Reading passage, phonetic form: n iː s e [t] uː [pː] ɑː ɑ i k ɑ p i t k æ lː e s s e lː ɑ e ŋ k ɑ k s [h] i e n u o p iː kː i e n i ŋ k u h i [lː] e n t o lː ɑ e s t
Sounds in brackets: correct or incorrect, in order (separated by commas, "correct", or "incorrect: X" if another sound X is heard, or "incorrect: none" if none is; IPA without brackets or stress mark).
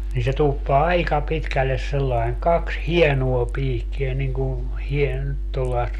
correct, correct, correct, incorrect: none